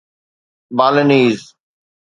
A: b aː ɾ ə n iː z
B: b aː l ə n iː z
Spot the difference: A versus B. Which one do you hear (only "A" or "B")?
B